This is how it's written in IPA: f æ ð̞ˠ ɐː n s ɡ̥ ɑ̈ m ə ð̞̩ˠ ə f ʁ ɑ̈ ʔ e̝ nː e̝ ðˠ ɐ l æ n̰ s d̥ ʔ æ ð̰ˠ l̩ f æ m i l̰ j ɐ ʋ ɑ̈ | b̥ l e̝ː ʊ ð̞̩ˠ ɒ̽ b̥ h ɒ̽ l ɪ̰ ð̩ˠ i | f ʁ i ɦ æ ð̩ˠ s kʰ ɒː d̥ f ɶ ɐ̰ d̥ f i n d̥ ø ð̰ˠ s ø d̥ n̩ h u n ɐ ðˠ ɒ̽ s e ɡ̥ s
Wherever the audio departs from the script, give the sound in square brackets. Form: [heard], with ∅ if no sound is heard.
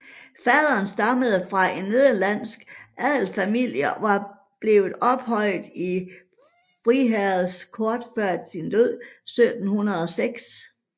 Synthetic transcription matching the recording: f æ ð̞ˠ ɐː n s [d̥] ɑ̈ m ə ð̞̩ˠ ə f ʁ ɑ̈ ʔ e̝ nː e̝ ðˠ ɐ l æ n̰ s [ɡ̥] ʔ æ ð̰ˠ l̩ f æ m i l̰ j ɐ ʋ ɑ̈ | b̥ l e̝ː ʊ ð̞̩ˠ ɒ̽ b̥ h ɒ̽ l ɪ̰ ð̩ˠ i | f ʁ i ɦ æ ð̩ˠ s kʰ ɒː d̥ f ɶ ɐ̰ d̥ [s] i n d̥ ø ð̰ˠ s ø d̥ n̩ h u n ɐ ðˠ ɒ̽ s e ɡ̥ s